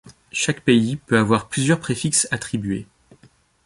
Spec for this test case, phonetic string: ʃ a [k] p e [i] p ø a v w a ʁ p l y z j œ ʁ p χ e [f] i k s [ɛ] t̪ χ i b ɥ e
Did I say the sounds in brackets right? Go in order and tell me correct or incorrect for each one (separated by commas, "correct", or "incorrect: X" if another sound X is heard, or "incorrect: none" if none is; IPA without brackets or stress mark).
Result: correct, correct, correct, incorrect: a